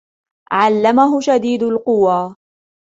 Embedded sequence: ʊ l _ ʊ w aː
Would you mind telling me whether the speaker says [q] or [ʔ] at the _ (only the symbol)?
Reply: q